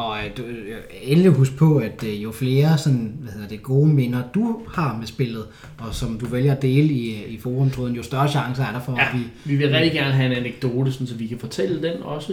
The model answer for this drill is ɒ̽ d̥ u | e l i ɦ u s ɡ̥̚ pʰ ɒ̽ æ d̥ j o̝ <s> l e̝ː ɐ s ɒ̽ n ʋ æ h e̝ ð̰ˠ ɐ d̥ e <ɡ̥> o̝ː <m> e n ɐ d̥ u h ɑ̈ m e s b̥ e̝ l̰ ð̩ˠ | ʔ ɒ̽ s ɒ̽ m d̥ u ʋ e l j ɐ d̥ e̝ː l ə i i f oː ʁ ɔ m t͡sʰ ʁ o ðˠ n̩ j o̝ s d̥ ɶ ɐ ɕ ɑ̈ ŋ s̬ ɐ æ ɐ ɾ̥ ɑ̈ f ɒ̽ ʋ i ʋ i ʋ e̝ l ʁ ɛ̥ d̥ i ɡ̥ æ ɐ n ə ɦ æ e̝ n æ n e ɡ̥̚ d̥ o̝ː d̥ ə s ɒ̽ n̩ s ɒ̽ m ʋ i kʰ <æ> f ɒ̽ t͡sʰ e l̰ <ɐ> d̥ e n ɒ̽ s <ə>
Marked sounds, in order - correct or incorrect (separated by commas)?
incorrect, correct, correct, correct, incorrect, correct